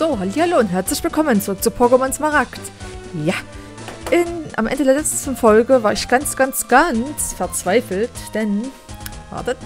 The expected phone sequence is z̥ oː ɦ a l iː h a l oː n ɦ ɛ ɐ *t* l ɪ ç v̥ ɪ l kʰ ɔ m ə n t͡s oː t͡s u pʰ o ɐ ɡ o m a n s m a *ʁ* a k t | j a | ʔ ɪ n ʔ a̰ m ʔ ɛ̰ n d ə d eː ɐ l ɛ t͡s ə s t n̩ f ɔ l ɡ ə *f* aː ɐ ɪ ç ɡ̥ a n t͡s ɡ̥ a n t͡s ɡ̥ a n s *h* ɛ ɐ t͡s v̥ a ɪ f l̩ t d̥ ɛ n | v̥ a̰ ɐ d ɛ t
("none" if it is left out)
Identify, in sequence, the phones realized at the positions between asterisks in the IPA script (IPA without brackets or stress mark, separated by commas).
t͡s, ʁ, v, f